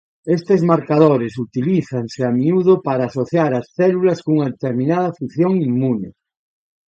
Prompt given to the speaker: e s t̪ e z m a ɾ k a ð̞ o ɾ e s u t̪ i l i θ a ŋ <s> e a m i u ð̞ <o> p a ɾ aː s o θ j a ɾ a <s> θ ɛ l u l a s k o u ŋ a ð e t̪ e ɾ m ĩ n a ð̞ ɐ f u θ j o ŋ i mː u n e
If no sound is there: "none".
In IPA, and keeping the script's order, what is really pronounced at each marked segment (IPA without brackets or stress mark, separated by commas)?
s, o, s